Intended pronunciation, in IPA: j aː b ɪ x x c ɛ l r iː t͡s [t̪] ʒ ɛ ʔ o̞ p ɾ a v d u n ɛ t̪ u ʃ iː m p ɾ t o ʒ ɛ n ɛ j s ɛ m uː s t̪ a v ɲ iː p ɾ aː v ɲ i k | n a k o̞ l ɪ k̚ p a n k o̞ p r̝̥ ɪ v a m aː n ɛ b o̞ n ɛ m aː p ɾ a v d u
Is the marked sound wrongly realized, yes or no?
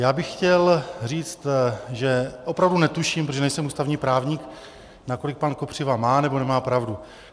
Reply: no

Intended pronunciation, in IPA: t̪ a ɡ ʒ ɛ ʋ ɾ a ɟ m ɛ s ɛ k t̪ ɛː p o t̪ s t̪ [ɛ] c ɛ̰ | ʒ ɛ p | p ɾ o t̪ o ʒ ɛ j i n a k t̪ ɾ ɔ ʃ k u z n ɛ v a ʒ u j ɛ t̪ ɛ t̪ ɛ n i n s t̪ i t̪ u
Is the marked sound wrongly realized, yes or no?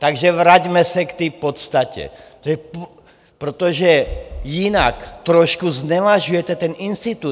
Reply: yes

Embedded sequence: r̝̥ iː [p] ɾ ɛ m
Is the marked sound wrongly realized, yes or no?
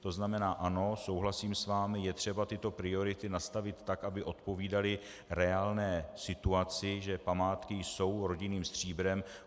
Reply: yes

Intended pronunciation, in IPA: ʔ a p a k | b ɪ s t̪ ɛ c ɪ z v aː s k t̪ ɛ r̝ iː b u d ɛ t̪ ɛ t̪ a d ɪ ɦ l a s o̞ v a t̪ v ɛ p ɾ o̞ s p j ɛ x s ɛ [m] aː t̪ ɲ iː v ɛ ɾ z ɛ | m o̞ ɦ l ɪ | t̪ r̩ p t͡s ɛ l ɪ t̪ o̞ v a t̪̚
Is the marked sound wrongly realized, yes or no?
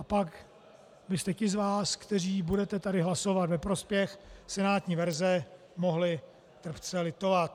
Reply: yes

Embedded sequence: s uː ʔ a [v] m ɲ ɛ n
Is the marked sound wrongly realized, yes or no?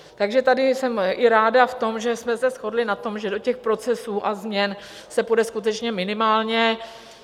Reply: yes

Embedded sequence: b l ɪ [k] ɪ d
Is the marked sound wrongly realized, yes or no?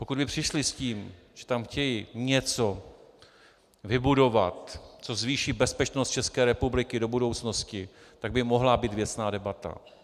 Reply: no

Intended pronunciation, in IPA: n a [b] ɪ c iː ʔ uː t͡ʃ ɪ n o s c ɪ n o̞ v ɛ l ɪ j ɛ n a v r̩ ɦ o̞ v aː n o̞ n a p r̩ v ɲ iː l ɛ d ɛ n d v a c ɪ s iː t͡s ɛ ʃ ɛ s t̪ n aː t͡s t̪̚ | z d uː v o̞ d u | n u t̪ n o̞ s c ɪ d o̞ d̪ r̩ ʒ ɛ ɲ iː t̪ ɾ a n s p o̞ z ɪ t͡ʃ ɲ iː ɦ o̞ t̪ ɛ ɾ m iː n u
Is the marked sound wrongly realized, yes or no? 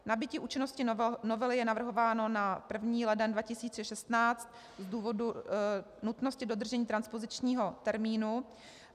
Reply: no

